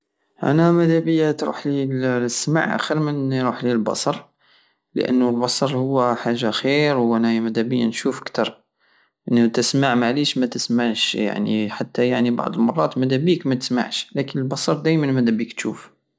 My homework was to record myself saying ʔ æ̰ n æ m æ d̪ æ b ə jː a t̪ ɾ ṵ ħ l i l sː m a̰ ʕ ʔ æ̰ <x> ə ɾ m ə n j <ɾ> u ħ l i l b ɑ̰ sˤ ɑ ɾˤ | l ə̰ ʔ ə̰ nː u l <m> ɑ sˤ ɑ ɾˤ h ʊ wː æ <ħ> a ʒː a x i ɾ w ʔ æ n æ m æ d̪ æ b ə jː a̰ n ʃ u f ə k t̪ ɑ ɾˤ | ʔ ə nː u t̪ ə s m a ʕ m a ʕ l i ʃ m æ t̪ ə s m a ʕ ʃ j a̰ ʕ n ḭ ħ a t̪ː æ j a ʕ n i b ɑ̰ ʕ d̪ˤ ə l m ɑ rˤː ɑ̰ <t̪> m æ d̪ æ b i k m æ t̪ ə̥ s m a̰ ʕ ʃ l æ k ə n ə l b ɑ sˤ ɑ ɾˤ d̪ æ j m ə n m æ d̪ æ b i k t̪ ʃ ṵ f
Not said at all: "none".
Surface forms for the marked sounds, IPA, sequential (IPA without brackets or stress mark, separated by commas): x, ɾ, b, ħ, t̪